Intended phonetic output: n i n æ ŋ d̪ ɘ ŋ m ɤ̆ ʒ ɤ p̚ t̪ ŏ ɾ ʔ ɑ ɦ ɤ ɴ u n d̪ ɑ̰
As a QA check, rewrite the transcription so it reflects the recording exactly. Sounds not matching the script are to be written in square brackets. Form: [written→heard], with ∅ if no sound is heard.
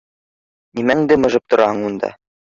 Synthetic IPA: n i [n→m] æ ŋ d̪ ɘ [ŋ→∅] m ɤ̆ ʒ ɤ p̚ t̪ ŏ ɾ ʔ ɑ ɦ ɤ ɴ u n d̪ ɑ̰